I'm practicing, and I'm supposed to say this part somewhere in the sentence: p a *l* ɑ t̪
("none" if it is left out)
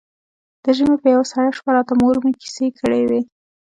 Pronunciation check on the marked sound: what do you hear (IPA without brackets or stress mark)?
ɾ